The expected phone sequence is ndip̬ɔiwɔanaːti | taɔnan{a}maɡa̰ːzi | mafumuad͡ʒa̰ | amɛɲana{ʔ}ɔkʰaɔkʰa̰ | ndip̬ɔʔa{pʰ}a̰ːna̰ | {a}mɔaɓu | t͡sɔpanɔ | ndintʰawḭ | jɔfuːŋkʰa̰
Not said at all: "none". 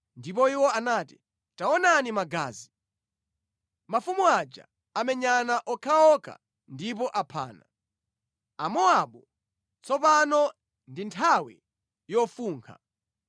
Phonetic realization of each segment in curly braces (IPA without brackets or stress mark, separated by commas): i, ʔ, pʰ, a